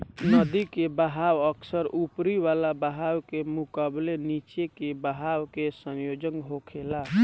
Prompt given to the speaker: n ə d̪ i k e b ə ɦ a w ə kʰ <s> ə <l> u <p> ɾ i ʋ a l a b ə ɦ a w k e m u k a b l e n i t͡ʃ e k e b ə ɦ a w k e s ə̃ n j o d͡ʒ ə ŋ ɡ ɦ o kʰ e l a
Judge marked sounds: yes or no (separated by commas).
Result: yes, no, yes